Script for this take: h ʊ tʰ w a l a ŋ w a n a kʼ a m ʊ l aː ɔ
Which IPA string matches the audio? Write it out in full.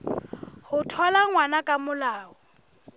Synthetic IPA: h ʊ tʰ w a l a ŋ w a n a kʼ a m ʊ l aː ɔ